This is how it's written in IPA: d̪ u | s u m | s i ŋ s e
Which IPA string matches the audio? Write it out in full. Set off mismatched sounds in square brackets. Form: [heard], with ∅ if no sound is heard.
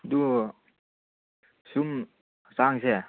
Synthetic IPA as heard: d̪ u | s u m | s [a] ŋ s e